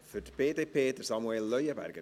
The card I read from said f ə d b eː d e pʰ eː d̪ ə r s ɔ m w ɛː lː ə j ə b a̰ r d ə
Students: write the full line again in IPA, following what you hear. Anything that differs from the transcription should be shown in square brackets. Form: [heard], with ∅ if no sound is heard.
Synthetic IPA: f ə d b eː d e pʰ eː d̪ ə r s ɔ m w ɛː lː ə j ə b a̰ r [ɡ] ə